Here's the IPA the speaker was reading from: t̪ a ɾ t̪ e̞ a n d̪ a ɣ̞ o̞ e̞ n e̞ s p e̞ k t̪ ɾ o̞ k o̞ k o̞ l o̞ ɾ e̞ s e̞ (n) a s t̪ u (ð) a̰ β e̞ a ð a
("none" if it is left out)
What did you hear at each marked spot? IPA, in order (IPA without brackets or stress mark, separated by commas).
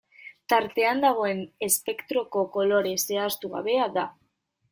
none, ɣ